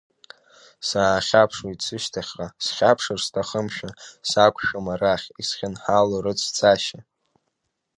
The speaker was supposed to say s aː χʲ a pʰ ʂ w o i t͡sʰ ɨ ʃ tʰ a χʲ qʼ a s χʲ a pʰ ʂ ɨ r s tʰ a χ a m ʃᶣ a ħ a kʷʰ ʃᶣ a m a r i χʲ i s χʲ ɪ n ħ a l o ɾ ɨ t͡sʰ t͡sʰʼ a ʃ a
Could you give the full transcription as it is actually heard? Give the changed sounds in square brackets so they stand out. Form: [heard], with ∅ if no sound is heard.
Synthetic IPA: s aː χʲ a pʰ ʂ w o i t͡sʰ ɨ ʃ tʰ a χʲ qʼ a s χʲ a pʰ ʂ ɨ r s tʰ a χ [ə] m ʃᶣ a [s] a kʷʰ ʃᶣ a m a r [a] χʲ i s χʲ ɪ n ħ a l o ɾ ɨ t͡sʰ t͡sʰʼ a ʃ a